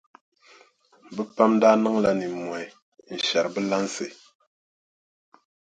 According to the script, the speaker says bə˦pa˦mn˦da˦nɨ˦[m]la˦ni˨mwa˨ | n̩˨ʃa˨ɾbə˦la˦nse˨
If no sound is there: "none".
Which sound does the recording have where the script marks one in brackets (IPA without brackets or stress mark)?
ŋ